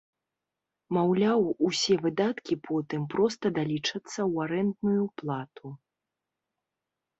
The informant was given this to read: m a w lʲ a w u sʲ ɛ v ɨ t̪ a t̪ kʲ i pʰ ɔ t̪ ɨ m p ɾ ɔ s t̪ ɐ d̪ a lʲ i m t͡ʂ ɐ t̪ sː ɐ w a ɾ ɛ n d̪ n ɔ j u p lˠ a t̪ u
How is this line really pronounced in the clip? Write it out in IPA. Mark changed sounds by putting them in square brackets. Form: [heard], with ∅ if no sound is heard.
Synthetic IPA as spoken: m a w lʲ a w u sʲ ɛ v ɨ [d̪] a t̪ kʲ i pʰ ɔ t̪ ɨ m p ɾ ɔ s t̪ ɐ d̪ a lʲ i [∅] t͡ʂ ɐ t̪ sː ɐ w a ɾ ɛ n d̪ n [u] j u p lˠ a t̪ u